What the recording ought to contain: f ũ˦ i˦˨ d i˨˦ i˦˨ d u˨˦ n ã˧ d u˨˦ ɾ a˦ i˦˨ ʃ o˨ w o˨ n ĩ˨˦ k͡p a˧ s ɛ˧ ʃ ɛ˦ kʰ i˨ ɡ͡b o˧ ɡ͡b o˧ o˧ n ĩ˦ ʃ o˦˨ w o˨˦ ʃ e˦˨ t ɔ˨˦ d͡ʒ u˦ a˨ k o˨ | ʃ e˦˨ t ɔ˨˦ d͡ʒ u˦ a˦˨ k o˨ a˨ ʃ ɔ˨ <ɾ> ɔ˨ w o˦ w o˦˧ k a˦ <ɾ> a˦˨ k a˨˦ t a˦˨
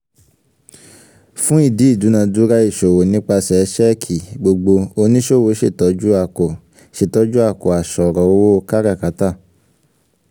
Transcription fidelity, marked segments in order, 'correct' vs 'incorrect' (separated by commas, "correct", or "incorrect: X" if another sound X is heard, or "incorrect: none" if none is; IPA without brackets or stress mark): correct, correct